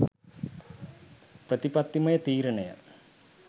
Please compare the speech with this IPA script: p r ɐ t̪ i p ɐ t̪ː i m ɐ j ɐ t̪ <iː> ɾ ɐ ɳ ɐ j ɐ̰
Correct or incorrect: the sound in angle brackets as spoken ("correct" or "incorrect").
correct